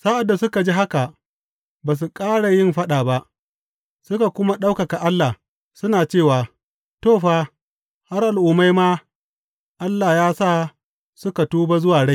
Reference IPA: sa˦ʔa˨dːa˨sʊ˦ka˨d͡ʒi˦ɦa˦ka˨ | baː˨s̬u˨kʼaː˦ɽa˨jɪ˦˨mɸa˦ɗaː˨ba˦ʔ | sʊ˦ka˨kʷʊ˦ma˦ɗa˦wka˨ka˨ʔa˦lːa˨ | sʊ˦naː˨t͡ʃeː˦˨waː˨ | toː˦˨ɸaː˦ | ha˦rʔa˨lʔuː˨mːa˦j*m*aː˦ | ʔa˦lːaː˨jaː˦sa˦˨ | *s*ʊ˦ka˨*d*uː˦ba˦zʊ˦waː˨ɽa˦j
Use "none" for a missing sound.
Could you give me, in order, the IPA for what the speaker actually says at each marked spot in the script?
m, s, t

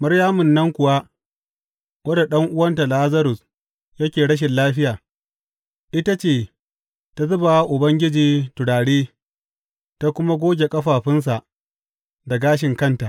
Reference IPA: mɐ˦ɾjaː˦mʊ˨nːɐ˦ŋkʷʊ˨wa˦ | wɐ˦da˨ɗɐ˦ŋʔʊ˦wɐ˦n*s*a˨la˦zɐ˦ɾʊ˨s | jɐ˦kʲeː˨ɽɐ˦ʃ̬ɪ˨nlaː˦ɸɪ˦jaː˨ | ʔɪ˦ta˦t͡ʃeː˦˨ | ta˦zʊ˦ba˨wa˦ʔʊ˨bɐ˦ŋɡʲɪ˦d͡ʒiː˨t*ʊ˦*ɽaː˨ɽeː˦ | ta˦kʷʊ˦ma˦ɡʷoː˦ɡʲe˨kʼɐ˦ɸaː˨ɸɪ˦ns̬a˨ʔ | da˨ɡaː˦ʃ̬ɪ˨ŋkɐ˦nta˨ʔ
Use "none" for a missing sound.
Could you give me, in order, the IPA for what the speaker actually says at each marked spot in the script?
t, ʊ˨

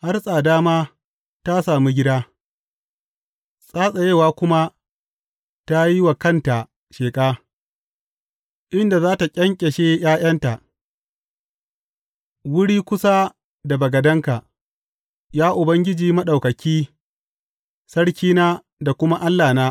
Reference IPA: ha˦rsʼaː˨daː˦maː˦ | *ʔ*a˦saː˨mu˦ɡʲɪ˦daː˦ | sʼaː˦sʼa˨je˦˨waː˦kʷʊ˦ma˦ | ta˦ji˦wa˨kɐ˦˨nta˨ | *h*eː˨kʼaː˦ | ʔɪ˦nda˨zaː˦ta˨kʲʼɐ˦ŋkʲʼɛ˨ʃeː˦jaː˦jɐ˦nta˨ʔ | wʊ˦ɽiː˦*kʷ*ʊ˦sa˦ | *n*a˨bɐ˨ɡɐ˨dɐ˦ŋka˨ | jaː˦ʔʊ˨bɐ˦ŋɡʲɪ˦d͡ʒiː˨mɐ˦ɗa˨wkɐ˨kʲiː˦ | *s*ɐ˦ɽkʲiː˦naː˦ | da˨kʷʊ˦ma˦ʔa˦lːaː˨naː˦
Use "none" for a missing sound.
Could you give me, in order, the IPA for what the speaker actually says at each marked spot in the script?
t, ʃ, kʷ, d, s

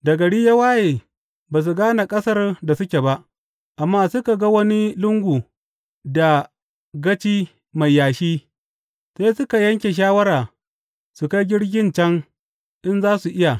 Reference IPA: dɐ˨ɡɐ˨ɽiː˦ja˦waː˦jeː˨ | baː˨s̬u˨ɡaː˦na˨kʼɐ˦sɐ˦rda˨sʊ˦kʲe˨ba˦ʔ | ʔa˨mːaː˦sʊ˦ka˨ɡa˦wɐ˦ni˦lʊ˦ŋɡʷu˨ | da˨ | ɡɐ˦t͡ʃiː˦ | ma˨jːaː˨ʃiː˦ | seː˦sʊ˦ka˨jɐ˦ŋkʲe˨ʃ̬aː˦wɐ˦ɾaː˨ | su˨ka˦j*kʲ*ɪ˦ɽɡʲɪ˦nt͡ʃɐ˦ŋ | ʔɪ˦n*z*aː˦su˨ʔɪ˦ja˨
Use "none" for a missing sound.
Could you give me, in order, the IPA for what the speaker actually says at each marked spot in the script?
ɡʲ, z

